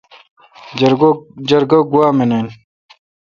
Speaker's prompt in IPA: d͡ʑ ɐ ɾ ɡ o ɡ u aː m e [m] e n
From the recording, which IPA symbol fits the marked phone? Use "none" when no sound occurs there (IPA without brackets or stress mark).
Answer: n